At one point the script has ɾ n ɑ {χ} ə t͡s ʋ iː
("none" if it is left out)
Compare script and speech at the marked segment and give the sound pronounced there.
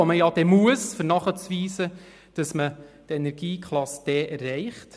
χ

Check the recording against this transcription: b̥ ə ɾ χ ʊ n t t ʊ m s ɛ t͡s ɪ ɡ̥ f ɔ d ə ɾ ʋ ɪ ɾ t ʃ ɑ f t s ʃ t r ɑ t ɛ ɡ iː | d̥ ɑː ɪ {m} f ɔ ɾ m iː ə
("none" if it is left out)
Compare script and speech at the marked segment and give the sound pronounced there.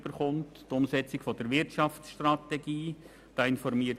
n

